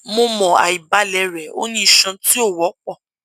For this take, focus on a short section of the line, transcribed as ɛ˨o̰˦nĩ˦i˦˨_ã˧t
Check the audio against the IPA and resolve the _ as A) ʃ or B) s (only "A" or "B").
A